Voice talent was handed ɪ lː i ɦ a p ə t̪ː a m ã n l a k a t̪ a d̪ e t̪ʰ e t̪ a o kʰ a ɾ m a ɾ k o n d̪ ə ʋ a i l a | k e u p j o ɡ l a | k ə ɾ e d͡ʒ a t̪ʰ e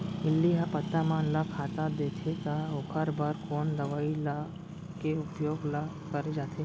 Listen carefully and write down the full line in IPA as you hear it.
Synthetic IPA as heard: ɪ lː i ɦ a p ə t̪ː a m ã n l a kʰ a t̪ a d̪ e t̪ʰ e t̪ a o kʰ a ɾ b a ɾ k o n d̪ ə ʋ a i l a | k e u p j o ɡ l a | k ə ɾ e d͡ʒ a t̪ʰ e

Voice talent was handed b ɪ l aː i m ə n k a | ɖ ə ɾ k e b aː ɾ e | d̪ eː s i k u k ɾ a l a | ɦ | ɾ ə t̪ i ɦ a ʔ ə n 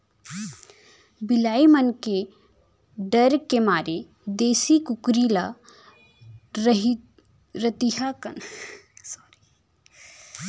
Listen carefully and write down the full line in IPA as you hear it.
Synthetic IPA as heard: b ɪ l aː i m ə n k e | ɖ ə ɾ k e m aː ɾ e | d̪ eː s i k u k ɾ i l a | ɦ | ɾ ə t̪ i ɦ a k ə n

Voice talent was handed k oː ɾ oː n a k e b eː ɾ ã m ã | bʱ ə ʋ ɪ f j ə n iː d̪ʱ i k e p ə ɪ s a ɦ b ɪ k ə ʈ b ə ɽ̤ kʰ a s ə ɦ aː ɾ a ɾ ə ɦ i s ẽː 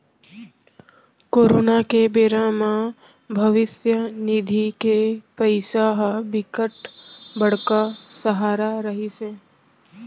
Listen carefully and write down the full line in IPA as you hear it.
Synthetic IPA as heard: k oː ɾ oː n a k e b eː ɾ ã m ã | bʱ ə ʋ ɪ s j ə n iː d̪ʱ i k e p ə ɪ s a ɦ b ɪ k ə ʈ b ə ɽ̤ k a s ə ɦ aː ɾ a ɾ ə ɦ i s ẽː

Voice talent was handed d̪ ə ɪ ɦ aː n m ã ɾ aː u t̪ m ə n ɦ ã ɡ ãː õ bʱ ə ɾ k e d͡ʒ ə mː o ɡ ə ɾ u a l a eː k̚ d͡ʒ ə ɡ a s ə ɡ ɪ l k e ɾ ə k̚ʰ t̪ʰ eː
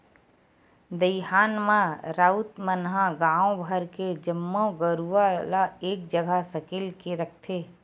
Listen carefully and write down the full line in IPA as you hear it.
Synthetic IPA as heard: d̪ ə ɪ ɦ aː n m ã ɾ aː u t̪ m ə n ɦ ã ɡ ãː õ bʱ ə ɾ k e d͡ʒ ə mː o ɡ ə ɾ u a l a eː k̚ d͡ʒ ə ɡ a s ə k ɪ l k e ɾ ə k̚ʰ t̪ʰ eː

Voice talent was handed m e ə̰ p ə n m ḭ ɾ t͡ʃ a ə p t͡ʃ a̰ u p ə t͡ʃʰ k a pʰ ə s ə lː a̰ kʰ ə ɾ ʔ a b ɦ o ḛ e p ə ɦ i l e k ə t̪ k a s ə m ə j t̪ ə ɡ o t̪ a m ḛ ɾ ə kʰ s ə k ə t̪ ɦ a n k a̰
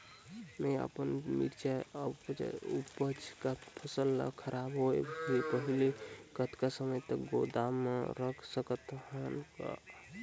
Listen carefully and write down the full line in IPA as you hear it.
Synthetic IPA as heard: m e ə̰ p ə n m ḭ ɾ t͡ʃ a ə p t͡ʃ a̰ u p ə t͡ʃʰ k a pʰ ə s ə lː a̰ kʰ ə ɾ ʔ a b ɦ o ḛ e p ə ɦ i l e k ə t̪ k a s ə m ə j t̪ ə ɡ o d̪ a m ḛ ɾ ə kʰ s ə k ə t̪ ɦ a n k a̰

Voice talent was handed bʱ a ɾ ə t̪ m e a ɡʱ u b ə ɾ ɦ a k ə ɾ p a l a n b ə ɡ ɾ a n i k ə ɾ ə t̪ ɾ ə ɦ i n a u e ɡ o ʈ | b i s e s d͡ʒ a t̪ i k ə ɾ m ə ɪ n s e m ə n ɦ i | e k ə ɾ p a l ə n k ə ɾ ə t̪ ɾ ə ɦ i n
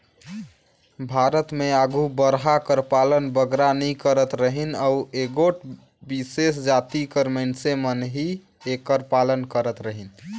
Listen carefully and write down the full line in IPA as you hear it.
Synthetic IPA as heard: bʱ a ɾ ə t̪ m e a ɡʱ u b ə ɾ ɦ a k ə ɾ p a l ə n b ə ɡ ɾ a n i k ə ɾ ə t̪ ɾ ə ɦ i n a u e ɡ o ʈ | b i s e s d͡ʒ a t̪ i k ə ɾ m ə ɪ n s e m ə n ɦ i | e k ə ɾ p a l ə n k ə ɾ ə t̪ ɾ ə ɦ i n

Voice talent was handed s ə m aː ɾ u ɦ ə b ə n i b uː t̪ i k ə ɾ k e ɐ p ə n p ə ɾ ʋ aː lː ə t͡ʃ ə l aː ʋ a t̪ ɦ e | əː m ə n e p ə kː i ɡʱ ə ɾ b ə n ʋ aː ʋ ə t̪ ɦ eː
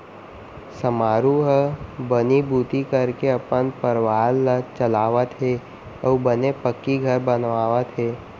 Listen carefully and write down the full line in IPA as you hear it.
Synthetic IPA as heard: s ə m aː ɾ u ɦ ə b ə n i b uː t̪ i k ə ɾ k e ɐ p ə n p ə ɾ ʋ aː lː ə t͡ʃ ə l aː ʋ ə t̪ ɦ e | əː b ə n e p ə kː i ɡʱ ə ɾ b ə n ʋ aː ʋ ə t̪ ɦ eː

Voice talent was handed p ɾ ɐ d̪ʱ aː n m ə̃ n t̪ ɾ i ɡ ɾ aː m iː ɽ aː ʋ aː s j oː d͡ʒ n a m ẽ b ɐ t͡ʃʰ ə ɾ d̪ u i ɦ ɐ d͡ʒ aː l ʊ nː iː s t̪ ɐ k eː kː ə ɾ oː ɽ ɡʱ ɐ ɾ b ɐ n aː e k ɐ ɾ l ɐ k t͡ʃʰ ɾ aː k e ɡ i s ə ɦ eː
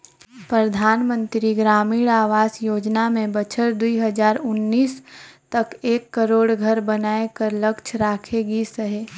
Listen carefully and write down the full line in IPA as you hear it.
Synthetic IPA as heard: p ɾ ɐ d̪ʱ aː n m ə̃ n t̪ ɾ i ɡ ɾ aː m iː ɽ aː ʋ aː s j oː d͡ʒ n a m ẽ b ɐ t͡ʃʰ ə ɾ d̪ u i ɦ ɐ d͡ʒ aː ɾ ʊ nː iː s t̪ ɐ k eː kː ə ɾ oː ɽ ɡʱ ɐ ɾ b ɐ n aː e k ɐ ɾ l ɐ k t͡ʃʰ ɾ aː kʰ e ɡ i s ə ɦ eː

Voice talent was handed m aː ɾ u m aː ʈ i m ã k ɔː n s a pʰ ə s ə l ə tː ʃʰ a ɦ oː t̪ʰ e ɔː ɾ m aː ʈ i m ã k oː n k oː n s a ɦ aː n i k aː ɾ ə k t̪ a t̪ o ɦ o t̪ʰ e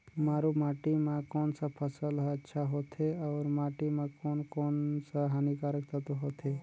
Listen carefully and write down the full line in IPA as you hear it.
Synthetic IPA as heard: m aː ɾ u m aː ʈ i m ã k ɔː n s a pʰ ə s ə l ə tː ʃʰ a ɦ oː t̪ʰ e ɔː ɾ m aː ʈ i m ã k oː n k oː n s a ɦ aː n i k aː ɾ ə k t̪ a t̪ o ɦ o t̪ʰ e

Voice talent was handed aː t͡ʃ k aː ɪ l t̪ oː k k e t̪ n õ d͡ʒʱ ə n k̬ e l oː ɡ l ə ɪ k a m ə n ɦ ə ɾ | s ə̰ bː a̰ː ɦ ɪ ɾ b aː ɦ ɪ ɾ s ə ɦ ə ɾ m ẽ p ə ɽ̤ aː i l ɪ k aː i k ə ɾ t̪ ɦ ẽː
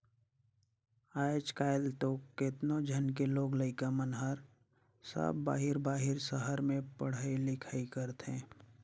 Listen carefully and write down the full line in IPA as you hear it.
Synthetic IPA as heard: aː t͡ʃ k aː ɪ l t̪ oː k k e t̪ n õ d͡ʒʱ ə n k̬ e l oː ɡ l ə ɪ k a m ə n ɦ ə ɾ | s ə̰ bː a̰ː ɦ ɪ ɾ b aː ɦ ɪ ɾ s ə ɦ ə ɾ m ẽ p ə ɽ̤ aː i l ɪ kʰ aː i k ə ɾ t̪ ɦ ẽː

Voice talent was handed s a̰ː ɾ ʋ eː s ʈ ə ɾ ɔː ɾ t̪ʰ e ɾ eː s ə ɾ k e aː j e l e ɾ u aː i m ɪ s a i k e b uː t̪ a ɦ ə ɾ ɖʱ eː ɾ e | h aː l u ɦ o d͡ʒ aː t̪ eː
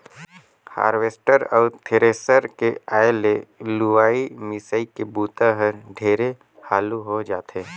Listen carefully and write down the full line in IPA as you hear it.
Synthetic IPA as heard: h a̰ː ɾ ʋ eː s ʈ ə ɾ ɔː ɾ t̪ʰ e ɾ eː s ə ɾ k e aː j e l e l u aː i m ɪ s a i k e b uː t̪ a ɦ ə ɾ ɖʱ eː ɾ e | h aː l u ɦ o d͡ʒ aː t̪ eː

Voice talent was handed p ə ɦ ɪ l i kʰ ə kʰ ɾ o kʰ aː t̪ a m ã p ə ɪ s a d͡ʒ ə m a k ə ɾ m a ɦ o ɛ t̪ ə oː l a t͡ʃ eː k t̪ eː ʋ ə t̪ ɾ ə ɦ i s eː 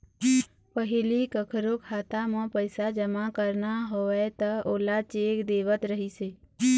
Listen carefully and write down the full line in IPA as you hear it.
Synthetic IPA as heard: p ə ɦ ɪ l i k ə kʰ ɾ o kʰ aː t̪ a m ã p ə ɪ s a d͡ʒ ə m a k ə ɾ n a ɦ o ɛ t̪ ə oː l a t͡ʃ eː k d̪ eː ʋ ə t̪ ɾ ə ɦ i s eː

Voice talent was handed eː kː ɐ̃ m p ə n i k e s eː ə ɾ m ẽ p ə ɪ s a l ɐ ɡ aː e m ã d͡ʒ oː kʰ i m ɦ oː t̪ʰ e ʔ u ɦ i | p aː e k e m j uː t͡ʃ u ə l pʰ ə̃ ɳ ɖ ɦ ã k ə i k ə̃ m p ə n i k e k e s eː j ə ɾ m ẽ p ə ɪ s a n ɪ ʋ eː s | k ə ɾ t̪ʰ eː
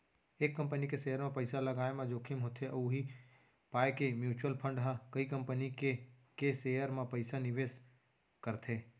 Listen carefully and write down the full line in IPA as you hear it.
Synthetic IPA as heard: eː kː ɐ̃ m p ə n i k e s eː ə ɾ m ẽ p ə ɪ s a l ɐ ɡ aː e m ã d͡ʒ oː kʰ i m ɦ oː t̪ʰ e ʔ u ɦ i | p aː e k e m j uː t͡ʃ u ə l pʰ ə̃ ɳ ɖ ɦ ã k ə i k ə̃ m p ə n i k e k e s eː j ə ɾ m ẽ p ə ɪ s a n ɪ ʋ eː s | k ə ɾ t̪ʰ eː

